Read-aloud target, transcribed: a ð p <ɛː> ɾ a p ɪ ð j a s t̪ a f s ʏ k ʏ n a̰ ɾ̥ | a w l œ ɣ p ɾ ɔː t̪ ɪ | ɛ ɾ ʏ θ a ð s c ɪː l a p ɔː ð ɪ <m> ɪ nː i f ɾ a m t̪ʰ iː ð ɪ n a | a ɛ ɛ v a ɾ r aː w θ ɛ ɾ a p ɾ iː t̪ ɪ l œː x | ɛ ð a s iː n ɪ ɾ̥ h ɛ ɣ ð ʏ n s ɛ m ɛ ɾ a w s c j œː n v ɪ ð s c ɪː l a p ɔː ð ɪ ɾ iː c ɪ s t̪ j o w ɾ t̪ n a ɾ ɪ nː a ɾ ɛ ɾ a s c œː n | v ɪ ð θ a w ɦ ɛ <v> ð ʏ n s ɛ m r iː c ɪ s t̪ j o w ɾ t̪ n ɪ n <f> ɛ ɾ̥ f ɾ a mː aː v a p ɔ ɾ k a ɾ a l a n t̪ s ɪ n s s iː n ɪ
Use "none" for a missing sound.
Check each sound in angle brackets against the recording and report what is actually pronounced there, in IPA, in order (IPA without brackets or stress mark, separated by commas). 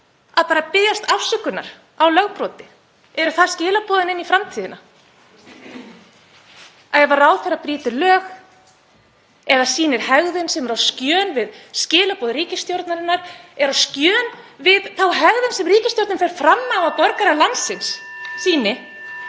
aː, n, ɣ, f